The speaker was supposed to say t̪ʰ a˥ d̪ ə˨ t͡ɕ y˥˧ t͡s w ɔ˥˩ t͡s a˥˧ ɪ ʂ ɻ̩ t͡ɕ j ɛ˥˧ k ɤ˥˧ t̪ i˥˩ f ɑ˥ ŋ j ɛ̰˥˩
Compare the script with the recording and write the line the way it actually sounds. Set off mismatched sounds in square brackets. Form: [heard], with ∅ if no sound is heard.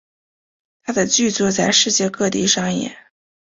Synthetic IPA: t̪ʰ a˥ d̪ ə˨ t͡ɕ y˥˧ t͡s w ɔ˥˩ t͡s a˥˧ ɪ ʂ ɻ̩ t͡ɕ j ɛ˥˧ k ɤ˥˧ t̪ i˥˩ [ʂ] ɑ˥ ŋ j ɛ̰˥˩